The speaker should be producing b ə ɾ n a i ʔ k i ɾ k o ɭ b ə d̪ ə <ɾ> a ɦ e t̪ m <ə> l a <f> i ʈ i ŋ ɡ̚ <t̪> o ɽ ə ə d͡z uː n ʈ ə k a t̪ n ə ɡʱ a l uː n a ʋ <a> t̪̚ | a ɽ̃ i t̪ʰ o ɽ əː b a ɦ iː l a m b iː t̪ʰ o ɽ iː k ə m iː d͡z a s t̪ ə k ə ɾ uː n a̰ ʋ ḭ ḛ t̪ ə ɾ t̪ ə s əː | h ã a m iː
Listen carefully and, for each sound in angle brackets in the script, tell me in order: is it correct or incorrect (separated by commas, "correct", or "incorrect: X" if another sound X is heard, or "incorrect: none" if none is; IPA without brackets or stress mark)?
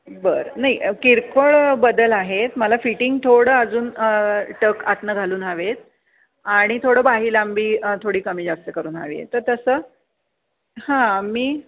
incorrect: l, correct, correct, incorrect: t̪ʰ, incorrect: e